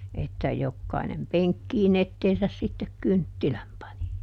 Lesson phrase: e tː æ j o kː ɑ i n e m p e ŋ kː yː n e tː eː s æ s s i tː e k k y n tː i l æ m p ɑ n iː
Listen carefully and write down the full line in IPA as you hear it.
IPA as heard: e tː æ j o kː ɑ i n e m p e ŋ kː iː n e tː eː s æ s s i tː e k k y n tː i l æ m p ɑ n i

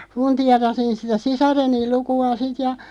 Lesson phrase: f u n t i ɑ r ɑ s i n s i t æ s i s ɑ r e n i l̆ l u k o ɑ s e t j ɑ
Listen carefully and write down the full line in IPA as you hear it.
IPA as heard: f u n t i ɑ r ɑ s i n s i t æ s i s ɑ r e n i l̆ l u k u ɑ s i t j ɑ

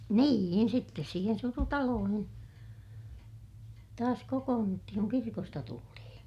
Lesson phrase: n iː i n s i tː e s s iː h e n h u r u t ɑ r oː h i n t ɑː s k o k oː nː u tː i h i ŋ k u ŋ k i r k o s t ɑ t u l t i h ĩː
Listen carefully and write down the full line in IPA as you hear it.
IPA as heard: n iː i n s i tː e s s iː h e n s u r u t ɑ l oː h i n t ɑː s k o k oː nː u tː i h i ŋ k u ŋ k i r k o s t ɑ t u l t i h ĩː

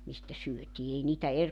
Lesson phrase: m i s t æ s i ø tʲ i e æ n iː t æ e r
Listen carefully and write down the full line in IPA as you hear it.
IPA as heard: m i s t æ s y ø tʲ iː e i n iː t æ e r

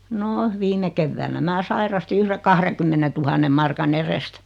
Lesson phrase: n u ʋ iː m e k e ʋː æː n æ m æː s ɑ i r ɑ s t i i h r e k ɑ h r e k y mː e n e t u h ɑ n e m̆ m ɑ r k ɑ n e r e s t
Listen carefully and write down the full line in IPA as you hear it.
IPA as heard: n o ʋ iː m e k e ʋː æː n æ m æː s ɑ i r ɑ s t i y h r e k ɑ h r e k y mː e n e t u h ɑ nː e m̆ m ɑ r k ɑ n e r e s t

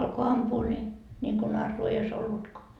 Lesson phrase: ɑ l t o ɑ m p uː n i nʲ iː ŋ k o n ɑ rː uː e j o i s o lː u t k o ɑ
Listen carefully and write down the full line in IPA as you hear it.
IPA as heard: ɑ l k o ɑ m p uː n i nʲ i ŋ k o n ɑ rː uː e i o i s o lː u t k o ɑ

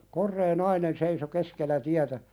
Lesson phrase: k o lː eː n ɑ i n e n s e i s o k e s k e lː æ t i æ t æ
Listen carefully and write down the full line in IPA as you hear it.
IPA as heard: k o rː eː n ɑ i n e n s e i s o k e s k e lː æ t i æ t æ

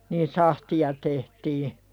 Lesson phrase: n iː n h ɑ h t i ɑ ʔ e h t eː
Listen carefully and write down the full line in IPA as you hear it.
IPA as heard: n iː n s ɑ h t i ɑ t e h t iː

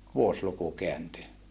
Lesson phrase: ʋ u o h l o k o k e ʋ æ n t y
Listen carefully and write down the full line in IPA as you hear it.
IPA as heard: ʋ u o s l u k u k e æ n t y

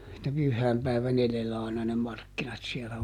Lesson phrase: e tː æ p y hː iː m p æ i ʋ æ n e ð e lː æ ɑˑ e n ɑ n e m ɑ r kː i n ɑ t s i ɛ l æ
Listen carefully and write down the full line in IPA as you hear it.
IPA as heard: e tː æ p y hː æː m p æ i ʋ æ n e ð e lː æ ɑˑ i n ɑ n e m ɑ r kː i n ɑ t s i ɛ l æ

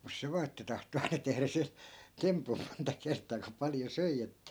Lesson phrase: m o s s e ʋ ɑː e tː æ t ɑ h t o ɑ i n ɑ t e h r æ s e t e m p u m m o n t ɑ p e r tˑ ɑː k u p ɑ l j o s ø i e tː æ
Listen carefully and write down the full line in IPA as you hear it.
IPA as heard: m u s s e ʋ ɑː e tː æ t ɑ h t o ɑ i n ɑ t e h r æ s e t e m p u m m o n t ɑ k e r tˑ ɑː k u p ɑ l j o s ø i e tː æ

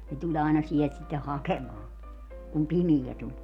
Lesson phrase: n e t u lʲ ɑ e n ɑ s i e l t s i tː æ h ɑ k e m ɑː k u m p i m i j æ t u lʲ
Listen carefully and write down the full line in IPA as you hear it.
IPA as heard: n e t u lʲ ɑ i n ɑ s i e l t s i tː e h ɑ k e m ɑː k u m p i m i j æ t u lʲ

